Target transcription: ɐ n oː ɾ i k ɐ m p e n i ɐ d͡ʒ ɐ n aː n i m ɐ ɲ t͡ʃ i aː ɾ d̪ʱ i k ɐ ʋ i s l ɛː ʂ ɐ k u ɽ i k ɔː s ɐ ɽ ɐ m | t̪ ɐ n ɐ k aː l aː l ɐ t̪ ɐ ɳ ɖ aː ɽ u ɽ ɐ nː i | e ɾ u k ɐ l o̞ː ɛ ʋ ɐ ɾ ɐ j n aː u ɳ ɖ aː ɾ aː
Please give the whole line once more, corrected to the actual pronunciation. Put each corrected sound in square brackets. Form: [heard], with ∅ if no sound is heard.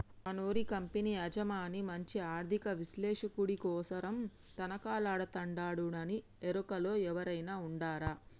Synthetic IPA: ɐ n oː ɾ i k ɐ m p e n i ɐ d͡ʒ ɐ [m] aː n i m ɐ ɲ t͡ʃ i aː ɾ d̪ʱ i k ɐ ʋ i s l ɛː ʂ ɐ k u ɽ i k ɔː s ɐ [ɾ] ɐ m | t̪ ɐ n ɐ k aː l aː [ɽ] ɐ t̪ ɐ ɳ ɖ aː ɽ u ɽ ɐ [n] i | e ɾ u k ɐ l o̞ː ɛ ʋ ɐ ɾ ɐ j n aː u ɳ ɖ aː ɾ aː